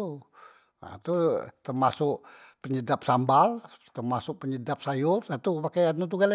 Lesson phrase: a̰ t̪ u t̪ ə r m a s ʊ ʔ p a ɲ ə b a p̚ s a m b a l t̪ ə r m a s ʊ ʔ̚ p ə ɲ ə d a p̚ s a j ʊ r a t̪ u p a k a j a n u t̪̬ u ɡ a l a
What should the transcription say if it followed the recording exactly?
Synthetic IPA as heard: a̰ t̪ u t̪ ə r m a s ʊ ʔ p ə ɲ ə d a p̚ s a m b a l t̪ ə r m a s ʊ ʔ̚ p ə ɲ ə d a p̚ s a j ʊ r a t̪ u p a k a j a n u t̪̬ u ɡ a l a